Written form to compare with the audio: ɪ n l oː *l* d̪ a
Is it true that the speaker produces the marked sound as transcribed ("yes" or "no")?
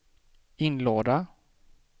no